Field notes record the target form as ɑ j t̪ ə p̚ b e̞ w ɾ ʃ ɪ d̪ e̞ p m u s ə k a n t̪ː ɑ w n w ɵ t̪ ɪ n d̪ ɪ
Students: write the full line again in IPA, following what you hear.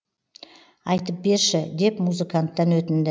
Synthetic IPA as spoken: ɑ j t̪ ə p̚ b e̞ ɾ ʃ ɪ d̪ e̞ p m u z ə k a n t̪ː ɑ n w ɵ t̪ ɪ n d̪ ɪ